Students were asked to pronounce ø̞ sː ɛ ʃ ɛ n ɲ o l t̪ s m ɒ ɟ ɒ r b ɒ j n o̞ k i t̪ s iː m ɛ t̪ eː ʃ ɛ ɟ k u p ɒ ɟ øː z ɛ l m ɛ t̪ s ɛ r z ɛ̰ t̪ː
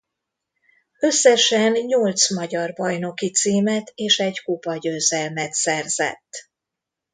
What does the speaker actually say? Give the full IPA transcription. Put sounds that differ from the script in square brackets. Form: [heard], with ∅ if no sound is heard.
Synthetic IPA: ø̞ sː ɛ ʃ ɛ n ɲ o l t̪ s m ɒ ɟ ɒ r b ɒ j n o̞ k i t̪ s iː m ɛ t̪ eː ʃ ɛ ɟ k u p ɒ ɟ øː z ɛ l m ɛ t̪ s ɛ r z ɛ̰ t̪ː

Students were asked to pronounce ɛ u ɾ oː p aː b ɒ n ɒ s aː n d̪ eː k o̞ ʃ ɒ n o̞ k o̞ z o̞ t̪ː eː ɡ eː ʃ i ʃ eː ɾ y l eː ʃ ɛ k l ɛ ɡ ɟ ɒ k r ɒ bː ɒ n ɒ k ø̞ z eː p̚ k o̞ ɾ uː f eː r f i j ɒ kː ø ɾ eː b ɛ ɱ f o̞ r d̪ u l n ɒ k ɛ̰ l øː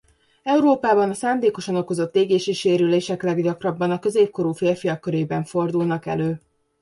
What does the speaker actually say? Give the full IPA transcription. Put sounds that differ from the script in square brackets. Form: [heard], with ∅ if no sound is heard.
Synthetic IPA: ɛ u ɾ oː p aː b ɒ n ɒ s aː n d̪ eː k o̞ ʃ ɒ n o̞ k o̞ z o̞ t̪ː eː ɡ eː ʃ i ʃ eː ɾ y l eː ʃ ɛ k l ɛ ɡ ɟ ɒ k r ɒ bː ɒ n ɒ k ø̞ z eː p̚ k o̞ ɾ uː f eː r f i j ɒ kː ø ɾ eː b ɛ ɱ f o̞ r d̪ u l n ɒ k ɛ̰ l øː

